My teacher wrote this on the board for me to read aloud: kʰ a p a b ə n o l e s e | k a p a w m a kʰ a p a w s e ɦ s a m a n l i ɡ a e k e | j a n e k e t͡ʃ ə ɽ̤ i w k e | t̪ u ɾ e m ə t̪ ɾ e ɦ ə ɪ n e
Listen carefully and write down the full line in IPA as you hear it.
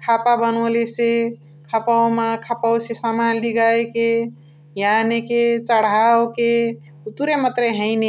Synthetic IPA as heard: kʰ a p a b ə n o l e s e | kʰ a p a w m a kʰ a p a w s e s a m a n l i ɡ a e k e | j a n e k e t͡ʃ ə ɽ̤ a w k e | t̪ u ɾ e m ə t̪ ɾ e ɦ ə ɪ n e